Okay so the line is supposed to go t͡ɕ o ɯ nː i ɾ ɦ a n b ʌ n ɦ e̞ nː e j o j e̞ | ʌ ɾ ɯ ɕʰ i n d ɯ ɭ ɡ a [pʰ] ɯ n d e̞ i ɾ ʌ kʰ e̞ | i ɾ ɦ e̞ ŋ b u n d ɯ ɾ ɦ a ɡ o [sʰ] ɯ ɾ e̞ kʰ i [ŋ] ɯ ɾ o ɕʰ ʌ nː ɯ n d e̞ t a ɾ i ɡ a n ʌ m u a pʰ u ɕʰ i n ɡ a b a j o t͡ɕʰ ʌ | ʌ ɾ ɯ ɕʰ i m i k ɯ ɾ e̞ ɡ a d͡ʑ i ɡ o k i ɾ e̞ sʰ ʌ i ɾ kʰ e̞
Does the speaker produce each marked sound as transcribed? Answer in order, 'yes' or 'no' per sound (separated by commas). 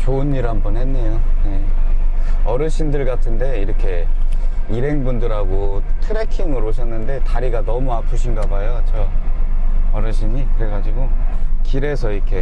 no, no, yes